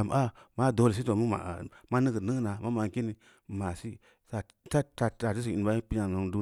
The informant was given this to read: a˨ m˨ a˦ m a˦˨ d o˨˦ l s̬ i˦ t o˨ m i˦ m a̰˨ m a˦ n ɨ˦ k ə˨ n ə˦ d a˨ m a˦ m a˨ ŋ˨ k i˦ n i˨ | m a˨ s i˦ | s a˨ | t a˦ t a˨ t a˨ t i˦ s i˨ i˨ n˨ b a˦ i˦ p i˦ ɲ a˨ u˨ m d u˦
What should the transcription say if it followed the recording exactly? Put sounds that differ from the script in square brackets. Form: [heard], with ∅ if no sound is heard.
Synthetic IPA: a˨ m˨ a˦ m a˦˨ d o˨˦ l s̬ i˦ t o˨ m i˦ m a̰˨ m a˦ n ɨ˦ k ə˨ n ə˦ [n] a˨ m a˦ m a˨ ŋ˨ k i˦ n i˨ | m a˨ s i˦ | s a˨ | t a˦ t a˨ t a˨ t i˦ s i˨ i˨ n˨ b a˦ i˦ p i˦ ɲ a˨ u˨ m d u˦